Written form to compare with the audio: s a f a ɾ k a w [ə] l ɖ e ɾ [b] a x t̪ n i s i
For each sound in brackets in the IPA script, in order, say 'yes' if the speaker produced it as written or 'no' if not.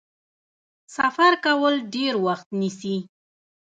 yes, no

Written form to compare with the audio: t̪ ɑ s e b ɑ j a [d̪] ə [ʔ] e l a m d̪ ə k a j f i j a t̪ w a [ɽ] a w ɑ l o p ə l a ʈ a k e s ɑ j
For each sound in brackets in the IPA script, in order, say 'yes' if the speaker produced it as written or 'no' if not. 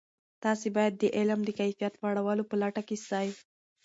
no, yes, yes

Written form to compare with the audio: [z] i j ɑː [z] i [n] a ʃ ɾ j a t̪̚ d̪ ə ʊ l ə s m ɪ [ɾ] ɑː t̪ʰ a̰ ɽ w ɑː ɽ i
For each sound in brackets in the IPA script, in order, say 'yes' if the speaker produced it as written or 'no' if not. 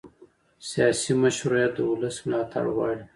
no, no, no, no

